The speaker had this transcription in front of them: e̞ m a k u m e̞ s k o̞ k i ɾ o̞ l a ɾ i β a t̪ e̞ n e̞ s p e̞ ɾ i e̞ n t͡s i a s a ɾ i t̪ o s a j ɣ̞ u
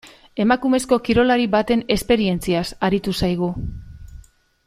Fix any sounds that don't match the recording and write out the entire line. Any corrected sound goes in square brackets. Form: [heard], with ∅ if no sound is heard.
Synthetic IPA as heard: e̞ m a k u m e̞ s k o̞ k i ɾ o̞ l a ɾ i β a t̪ e̞ n e̞ s p e̞ ɾ i e̞ n t͡s i a s a ɾ i t̪ [u] s a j ɣ̞ u